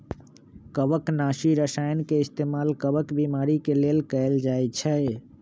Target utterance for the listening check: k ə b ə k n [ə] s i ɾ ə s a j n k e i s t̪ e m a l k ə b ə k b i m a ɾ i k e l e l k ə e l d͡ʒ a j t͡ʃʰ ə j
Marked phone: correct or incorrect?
incorrect: a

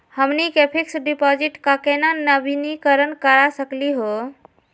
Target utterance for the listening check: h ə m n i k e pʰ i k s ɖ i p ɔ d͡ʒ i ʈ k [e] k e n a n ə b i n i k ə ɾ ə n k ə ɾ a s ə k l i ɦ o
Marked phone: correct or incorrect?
incorrect: a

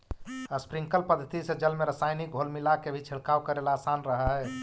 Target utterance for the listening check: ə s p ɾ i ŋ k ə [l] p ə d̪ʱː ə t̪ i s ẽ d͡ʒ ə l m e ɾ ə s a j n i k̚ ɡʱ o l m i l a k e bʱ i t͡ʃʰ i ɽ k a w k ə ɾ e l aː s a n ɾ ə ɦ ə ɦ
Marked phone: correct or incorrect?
correct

